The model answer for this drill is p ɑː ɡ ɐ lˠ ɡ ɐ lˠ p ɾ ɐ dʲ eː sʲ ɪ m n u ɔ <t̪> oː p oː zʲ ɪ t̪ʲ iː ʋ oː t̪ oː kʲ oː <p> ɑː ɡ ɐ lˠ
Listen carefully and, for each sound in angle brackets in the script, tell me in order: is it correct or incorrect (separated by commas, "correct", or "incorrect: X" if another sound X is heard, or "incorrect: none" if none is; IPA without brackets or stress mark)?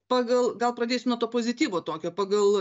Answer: correct, correct